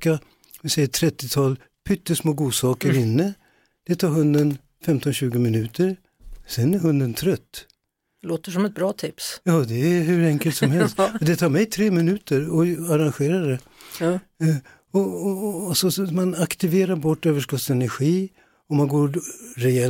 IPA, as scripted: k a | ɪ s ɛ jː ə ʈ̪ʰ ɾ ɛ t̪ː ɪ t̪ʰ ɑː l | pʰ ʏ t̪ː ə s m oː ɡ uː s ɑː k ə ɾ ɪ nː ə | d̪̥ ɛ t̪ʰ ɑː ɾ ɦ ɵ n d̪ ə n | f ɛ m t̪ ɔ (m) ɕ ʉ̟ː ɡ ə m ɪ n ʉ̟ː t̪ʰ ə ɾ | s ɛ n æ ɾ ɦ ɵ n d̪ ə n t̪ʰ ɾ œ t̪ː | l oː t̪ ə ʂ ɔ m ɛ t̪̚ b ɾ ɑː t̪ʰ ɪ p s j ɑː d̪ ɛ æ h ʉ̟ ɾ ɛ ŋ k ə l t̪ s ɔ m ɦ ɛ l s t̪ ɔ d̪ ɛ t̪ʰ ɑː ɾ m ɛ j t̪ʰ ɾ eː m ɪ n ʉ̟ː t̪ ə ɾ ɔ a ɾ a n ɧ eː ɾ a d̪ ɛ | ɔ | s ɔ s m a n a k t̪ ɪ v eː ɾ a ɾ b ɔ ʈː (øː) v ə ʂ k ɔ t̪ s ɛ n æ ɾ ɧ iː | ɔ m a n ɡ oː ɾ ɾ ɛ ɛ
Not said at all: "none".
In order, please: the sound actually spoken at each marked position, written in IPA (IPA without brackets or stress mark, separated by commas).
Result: n, øː